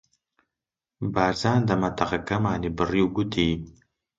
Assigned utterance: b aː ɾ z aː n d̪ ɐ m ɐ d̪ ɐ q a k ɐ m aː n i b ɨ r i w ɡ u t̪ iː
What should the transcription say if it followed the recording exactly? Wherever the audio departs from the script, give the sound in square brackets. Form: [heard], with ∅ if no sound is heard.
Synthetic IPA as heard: b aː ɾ z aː n d̪ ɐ m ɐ [t̪] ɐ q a k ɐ m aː n i b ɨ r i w ɡ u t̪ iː